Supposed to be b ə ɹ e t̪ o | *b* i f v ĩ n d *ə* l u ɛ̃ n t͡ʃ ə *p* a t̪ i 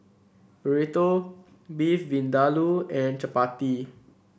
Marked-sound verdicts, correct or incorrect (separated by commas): correct, incorrect, correct